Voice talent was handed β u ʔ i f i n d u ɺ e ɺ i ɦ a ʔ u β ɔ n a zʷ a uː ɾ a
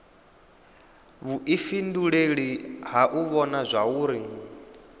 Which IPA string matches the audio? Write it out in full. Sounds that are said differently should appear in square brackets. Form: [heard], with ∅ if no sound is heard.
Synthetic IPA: β u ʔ i f i n d u ɺ e ɺ i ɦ a ʔ u β ɔ n a zʷ a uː ɾ [i]